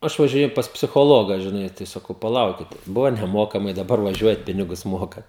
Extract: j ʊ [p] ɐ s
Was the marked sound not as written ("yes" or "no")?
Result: no